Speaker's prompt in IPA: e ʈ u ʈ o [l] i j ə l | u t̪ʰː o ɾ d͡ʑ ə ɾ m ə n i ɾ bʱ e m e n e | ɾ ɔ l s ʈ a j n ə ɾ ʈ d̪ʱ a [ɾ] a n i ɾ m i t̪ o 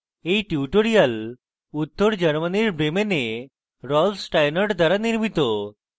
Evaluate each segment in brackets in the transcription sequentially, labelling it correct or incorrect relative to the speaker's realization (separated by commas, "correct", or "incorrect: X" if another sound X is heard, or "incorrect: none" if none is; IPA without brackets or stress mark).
incorrect: ɾ, correct